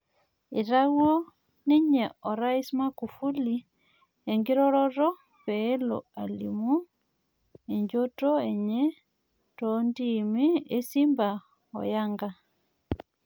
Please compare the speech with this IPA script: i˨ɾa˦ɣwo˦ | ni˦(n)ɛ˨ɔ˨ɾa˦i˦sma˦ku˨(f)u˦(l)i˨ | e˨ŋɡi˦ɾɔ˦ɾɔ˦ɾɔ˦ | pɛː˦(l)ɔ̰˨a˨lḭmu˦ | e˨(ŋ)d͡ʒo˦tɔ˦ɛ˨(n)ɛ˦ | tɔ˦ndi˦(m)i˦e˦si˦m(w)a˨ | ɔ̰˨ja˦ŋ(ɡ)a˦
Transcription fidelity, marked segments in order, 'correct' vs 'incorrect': incorrect, correct, correct, correct, incorrect, incorrect, correct, incorrect, correct

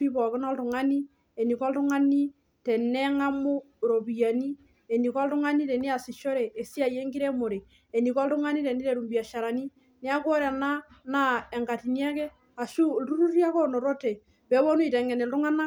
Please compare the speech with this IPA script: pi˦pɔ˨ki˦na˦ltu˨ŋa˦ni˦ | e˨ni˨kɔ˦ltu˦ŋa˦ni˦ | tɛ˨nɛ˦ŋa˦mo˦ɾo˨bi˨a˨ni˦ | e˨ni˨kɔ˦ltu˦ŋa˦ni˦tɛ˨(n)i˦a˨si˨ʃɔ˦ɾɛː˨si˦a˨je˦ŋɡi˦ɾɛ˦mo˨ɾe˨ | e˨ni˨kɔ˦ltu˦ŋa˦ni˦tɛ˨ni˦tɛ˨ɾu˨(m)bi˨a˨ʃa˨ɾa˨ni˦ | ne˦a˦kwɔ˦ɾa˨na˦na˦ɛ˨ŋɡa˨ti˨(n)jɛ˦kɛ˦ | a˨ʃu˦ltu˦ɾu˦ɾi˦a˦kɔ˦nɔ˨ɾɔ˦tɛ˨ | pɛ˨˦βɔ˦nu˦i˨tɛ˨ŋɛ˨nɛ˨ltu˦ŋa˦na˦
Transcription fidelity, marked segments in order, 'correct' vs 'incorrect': correct, correct, correct

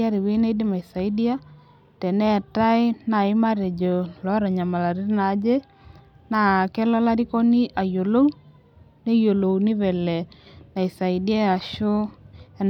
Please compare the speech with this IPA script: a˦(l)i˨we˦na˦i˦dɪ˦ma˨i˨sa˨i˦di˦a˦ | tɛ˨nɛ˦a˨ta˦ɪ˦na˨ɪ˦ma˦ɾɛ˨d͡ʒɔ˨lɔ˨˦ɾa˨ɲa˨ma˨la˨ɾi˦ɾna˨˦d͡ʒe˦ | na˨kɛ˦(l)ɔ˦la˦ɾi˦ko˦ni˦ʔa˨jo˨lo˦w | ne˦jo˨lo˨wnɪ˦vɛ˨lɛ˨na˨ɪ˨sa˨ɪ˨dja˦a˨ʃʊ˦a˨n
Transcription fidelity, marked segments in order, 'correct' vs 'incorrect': incorrect, correct

